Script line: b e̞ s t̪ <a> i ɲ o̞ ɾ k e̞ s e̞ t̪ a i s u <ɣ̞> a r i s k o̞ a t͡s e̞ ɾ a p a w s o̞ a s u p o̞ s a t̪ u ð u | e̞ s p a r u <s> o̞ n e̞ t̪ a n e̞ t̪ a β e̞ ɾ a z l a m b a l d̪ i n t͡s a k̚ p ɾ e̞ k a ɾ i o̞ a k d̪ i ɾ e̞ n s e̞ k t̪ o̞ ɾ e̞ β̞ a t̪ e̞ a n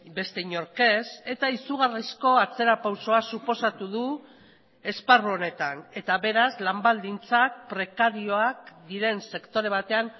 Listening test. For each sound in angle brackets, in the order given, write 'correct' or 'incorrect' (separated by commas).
incorrect, correct, incorrect